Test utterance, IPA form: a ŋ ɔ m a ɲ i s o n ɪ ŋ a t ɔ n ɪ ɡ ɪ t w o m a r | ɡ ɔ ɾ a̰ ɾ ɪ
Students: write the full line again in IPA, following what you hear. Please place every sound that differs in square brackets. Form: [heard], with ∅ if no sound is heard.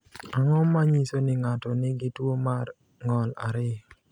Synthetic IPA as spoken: a ŋ ɔ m a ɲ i s o n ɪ ŋ a t ɔ n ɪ ɡ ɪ t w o m a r | [ŋ] ɔ [l] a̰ ɾ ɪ